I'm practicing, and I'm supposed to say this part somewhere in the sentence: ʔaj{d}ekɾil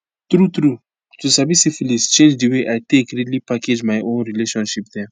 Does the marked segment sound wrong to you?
yes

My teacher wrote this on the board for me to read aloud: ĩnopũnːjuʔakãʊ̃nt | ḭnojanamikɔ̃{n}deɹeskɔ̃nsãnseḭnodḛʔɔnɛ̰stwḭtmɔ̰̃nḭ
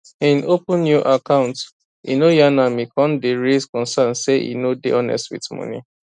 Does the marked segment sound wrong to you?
no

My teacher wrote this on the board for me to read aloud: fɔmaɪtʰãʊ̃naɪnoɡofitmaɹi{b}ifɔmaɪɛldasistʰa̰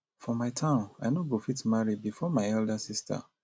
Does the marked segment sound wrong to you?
no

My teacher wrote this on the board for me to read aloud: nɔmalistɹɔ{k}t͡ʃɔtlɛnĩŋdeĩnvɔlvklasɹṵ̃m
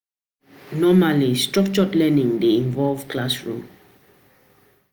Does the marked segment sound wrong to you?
no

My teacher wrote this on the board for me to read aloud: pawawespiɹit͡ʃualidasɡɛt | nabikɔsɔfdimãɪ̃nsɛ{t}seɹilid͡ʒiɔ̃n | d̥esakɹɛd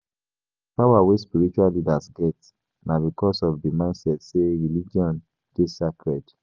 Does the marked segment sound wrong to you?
no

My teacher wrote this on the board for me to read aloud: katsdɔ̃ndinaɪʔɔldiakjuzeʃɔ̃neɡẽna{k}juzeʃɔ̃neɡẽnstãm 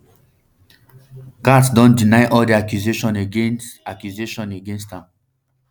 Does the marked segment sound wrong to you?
no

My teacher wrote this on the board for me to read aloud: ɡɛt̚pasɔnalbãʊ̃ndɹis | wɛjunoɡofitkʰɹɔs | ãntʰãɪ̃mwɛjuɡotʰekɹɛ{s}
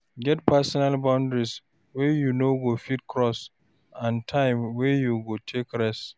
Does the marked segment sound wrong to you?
no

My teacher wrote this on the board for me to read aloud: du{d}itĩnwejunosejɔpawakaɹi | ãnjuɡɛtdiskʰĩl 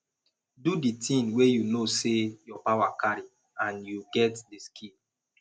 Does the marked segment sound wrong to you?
no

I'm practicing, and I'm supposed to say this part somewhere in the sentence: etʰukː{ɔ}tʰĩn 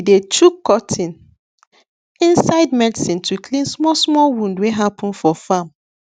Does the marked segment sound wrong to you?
no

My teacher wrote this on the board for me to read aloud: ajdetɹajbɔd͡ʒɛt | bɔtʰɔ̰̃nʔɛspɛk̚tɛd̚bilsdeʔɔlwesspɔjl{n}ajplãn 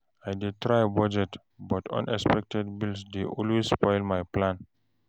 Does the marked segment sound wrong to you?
yes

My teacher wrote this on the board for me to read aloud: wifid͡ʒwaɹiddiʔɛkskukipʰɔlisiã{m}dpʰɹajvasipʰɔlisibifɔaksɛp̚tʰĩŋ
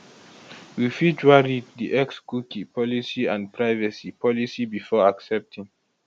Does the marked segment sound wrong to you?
yes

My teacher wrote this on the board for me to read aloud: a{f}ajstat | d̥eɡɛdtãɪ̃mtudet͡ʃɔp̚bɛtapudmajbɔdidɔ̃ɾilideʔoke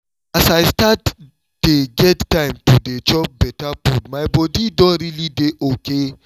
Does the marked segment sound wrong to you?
yes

